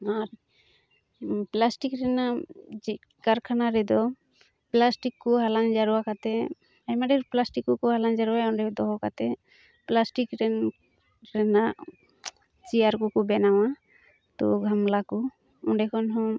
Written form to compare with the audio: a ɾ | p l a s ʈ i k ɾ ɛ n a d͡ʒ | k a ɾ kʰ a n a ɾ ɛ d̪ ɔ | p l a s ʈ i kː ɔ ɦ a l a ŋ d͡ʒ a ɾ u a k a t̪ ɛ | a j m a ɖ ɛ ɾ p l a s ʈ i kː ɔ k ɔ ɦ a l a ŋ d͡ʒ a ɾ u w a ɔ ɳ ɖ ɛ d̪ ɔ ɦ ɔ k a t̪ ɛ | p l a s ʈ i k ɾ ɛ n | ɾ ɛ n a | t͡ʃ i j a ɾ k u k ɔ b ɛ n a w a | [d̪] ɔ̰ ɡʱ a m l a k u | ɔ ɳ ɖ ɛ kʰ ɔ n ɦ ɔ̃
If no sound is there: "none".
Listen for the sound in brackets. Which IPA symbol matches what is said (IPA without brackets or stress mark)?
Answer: t̪